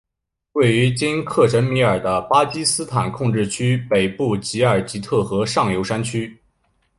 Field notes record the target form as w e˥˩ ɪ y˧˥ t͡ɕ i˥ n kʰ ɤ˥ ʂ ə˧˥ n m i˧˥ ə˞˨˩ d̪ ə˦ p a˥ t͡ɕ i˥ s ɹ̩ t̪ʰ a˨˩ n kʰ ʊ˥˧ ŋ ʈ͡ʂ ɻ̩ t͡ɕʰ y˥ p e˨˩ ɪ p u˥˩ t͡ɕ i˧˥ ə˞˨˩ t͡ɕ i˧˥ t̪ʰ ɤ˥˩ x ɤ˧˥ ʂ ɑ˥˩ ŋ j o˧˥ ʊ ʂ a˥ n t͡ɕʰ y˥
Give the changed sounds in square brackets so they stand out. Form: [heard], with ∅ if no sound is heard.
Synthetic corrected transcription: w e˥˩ ɪ y˧˥ t͡ɕ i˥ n kʰ [ɤ˥˩] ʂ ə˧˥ n m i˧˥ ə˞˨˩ d̪ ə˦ p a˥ t͡ɕ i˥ s ɹ̩ t̪ʰ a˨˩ n kʰ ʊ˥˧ ŋ ʈ͡ʂ ɻ̩ t͡ɕʰ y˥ p e˨˩ ɪ p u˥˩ t͡ɕ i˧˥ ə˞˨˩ t͡ɕ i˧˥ t̪ʰ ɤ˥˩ x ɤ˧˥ ʂ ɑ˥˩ ŋ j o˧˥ ʊ ʂ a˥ n t͡ɕʰ y˥